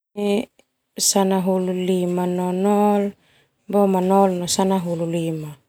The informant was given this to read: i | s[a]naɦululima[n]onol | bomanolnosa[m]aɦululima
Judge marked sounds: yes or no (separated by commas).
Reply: yes, yes, no